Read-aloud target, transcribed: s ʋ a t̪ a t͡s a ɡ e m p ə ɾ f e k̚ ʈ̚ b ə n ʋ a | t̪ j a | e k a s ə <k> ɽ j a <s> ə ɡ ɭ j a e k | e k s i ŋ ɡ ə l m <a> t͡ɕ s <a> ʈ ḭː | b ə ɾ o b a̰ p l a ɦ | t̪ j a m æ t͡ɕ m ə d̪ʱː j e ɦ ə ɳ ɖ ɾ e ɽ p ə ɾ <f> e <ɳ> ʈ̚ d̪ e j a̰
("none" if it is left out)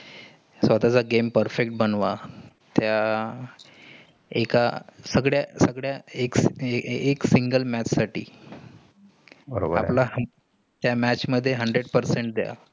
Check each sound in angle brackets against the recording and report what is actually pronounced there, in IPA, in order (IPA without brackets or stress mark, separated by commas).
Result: ɡ, s, æ, a, s, ɳ